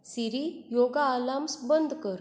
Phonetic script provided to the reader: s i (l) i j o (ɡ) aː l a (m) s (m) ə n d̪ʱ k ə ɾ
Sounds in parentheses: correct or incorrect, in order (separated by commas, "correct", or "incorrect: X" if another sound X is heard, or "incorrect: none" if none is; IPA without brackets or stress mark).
incorrect: ɾ, correct, correct, incorrect: b